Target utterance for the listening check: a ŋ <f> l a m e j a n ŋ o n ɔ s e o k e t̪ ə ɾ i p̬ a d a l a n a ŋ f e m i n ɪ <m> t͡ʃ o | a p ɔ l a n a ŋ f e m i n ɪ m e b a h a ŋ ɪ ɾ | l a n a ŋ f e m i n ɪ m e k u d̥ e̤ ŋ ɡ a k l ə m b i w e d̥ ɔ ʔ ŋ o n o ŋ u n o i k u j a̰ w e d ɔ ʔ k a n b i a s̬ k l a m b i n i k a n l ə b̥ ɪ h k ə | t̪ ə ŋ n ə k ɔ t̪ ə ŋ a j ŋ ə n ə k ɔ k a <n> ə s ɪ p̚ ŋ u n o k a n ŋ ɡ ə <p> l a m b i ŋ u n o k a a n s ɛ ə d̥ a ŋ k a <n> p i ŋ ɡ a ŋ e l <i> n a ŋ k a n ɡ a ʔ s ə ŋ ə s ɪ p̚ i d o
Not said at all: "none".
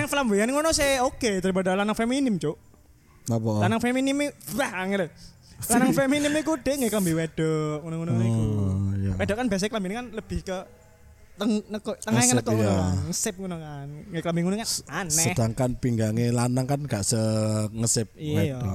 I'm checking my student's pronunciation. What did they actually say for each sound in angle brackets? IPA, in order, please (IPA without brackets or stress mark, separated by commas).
f, m, ŋ, k, n, a